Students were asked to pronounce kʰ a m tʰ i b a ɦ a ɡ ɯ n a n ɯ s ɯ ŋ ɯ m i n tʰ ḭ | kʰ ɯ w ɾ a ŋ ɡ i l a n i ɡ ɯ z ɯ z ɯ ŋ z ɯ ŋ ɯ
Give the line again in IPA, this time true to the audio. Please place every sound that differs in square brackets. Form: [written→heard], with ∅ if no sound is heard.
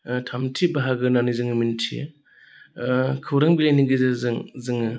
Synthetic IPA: [kʰ→tʰ] a m tʰ i b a ɦ a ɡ ɯ n a n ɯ [s→z] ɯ ŋ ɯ m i n tʰ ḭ | kʰ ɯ w ɾ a ŋ [ɡ→b] i l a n i ɡ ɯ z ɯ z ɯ ŋ z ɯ ŋ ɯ